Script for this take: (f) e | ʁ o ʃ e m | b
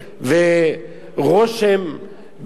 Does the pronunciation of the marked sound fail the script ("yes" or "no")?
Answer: yes